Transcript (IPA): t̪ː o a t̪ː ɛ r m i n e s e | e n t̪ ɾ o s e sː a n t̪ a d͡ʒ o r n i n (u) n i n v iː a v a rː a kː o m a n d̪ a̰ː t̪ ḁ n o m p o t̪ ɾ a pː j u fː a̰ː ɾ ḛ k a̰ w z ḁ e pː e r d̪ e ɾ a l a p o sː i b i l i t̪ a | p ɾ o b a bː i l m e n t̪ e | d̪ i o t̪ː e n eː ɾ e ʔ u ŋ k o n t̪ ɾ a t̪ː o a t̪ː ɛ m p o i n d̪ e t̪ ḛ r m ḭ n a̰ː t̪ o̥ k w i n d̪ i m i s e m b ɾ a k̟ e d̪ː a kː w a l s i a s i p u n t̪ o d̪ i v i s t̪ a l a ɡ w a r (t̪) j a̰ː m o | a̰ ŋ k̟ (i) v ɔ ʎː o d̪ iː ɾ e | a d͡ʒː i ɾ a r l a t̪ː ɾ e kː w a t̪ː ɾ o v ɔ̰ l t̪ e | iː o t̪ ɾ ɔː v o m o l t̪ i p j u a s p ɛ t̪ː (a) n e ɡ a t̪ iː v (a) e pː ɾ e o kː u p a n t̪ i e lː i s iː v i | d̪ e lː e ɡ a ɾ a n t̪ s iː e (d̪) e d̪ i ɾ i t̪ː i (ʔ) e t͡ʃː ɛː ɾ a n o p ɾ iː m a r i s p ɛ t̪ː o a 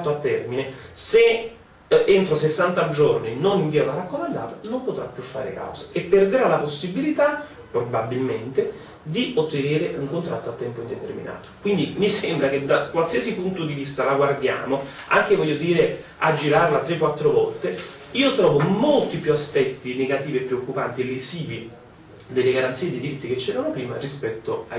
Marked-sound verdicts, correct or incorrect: incorrect: o, incorrect: d̪, incorrect: e, incorrect: i, incorrect: i, correct, incorrect: k

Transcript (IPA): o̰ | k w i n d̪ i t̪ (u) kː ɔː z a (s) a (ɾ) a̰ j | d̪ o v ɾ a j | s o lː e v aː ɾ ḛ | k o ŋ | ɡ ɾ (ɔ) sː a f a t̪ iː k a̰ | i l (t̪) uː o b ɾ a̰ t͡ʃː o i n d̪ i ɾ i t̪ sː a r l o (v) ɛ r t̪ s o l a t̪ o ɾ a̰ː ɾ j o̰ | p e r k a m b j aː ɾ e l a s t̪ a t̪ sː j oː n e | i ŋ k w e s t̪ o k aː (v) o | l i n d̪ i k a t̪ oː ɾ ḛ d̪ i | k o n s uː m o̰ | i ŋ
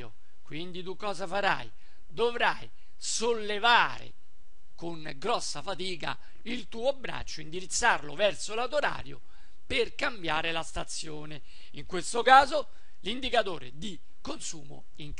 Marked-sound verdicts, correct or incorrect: correct, incorrect: f, correct, correct, correct, correct, incorrect: z

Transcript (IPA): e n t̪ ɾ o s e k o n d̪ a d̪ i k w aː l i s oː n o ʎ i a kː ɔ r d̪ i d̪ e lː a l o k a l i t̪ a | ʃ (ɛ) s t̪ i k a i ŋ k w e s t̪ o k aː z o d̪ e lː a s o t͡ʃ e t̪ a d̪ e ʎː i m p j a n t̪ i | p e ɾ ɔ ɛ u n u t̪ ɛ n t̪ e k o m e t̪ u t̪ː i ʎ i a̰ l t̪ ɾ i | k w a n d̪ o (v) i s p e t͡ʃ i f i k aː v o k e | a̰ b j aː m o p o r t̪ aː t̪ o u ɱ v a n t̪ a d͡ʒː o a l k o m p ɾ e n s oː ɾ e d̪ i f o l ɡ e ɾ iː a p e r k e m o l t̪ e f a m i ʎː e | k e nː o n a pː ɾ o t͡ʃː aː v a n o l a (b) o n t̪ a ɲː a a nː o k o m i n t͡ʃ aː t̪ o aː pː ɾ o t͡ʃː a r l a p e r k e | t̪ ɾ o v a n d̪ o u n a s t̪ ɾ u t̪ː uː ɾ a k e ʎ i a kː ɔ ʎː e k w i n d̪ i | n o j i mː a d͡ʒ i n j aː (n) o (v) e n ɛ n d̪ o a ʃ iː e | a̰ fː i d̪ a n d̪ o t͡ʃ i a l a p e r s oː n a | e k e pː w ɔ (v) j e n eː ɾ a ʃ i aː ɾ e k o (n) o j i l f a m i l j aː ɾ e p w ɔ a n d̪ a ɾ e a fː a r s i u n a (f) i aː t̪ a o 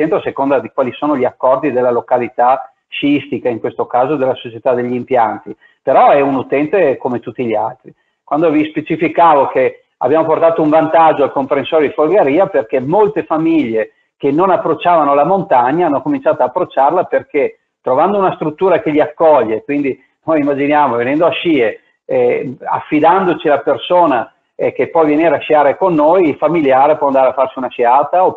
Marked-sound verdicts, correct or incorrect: incorrect: i, correct, incorrect: m, incorrect: m, correct, correct, incorrect: nː, incorrect: ʃ

